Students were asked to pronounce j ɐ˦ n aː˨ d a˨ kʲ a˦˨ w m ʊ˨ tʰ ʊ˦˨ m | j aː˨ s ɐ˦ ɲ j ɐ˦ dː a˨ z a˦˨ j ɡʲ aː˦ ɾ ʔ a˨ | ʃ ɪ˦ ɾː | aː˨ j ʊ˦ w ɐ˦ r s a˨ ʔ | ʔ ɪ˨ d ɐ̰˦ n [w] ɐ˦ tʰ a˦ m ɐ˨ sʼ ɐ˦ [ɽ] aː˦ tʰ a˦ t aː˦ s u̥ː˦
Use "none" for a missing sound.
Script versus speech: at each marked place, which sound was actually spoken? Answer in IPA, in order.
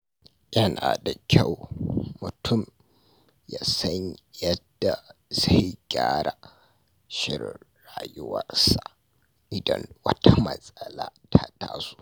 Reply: w, l

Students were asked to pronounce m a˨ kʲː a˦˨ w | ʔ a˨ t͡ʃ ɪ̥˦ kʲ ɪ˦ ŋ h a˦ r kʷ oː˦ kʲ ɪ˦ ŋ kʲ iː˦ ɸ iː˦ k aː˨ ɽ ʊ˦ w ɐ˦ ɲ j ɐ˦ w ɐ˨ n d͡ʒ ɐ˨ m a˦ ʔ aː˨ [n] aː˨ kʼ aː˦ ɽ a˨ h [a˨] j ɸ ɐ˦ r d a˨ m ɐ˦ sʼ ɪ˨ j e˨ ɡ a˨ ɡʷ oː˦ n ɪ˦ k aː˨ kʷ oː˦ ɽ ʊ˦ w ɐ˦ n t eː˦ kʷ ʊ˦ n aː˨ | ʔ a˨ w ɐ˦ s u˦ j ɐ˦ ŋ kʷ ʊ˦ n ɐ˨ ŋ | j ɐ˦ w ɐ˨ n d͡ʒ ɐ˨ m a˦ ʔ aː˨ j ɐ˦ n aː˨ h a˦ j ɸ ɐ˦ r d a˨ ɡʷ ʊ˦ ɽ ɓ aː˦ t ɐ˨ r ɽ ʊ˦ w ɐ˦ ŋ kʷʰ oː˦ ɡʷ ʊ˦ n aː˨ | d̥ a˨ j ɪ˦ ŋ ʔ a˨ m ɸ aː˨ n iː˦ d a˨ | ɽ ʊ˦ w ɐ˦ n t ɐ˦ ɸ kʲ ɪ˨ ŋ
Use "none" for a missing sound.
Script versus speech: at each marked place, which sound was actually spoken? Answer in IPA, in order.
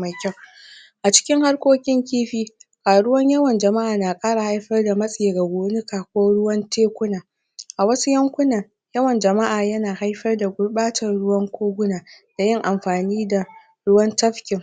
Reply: n, a˦

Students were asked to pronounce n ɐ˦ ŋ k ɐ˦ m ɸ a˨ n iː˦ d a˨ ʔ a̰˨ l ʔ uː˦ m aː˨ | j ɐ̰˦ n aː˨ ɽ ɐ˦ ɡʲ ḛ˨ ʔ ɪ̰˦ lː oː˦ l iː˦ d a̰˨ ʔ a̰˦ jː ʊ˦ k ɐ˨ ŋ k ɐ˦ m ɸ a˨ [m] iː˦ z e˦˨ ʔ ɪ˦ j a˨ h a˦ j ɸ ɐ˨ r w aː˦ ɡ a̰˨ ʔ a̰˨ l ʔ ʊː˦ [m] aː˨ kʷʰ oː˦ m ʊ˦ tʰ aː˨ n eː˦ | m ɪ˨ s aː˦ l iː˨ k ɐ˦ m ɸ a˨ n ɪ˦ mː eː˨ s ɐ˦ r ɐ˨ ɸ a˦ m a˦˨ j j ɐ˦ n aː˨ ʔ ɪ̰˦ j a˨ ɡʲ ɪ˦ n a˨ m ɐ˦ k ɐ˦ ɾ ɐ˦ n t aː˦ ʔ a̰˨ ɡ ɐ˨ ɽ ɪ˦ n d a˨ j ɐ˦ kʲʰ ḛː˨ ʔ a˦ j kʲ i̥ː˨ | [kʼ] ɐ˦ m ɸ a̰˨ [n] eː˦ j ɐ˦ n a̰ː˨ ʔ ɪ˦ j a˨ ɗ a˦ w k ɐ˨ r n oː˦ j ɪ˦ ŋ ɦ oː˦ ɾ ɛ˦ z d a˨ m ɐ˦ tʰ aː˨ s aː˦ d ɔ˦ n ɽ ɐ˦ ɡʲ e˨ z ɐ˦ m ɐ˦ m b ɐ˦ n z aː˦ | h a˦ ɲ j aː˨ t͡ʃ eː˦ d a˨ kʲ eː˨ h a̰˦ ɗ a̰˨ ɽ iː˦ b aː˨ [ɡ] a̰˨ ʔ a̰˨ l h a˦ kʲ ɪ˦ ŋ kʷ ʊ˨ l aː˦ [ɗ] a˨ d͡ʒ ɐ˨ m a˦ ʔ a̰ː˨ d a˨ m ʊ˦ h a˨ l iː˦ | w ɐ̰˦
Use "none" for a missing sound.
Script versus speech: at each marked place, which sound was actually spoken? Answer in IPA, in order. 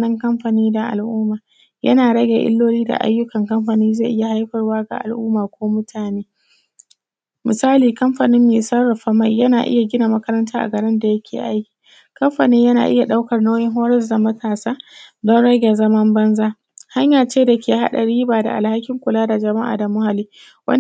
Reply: n, m, k, n, d, d

